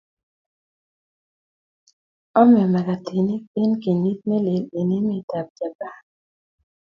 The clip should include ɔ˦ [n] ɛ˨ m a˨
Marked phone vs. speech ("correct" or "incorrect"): incorrect